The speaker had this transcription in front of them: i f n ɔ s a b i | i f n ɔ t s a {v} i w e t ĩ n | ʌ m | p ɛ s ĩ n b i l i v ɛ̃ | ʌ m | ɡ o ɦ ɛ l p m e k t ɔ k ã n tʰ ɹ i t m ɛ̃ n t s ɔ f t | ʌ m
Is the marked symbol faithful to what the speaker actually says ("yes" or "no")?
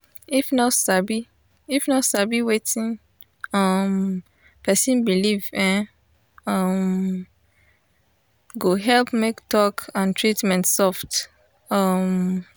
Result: no